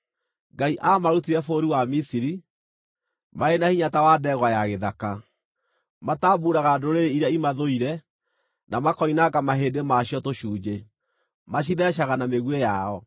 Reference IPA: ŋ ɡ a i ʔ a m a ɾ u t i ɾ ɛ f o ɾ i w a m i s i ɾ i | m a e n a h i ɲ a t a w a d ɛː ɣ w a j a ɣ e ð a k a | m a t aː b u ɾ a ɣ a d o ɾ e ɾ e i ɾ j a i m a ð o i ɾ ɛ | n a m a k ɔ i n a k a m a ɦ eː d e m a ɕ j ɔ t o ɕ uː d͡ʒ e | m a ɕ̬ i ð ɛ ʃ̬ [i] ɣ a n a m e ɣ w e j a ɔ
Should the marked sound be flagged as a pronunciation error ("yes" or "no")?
yes